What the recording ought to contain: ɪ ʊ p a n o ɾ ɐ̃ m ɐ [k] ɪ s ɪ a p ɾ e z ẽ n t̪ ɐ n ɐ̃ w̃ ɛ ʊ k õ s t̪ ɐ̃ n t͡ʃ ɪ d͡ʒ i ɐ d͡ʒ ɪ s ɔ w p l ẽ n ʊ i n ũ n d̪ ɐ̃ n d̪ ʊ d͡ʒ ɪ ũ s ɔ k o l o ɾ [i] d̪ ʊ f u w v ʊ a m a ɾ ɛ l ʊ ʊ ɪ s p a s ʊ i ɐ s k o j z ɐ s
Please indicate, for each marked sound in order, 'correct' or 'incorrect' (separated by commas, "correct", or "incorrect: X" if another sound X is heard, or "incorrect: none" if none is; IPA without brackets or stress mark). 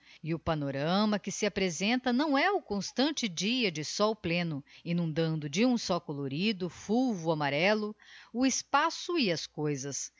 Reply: correct, correct